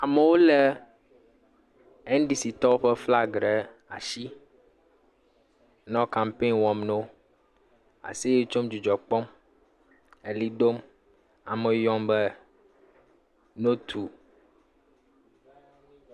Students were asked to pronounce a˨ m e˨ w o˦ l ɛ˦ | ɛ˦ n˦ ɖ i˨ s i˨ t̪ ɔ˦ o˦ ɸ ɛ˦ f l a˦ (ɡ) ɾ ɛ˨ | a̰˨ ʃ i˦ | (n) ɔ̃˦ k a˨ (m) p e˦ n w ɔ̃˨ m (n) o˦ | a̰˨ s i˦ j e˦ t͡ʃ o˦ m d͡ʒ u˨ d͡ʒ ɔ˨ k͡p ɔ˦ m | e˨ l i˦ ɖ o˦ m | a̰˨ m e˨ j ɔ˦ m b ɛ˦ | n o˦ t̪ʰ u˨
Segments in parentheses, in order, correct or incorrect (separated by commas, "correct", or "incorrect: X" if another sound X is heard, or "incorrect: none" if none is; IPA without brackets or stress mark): correct, correct, correct, correct